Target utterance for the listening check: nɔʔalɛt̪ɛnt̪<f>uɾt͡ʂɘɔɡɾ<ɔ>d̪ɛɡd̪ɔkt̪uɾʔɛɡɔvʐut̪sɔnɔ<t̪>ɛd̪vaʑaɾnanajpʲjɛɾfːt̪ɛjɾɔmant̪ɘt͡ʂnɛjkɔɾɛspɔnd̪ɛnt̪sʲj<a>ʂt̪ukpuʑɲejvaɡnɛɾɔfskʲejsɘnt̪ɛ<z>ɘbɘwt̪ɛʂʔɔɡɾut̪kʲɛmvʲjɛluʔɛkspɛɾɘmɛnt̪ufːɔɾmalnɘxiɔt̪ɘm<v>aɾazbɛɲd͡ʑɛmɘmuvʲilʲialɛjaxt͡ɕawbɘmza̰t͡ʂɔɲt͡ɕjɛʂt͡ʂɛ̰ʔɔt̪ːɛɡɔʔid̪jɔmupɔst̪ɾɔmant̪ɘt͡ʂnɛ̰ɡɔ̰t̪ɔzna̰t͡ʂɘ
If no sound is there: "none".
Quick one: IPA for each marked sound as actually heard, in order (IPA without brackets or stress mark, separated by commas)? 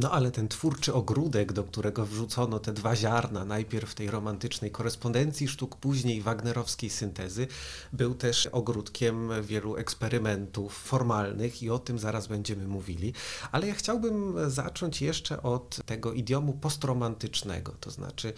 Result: f, u, t̪, i, z, z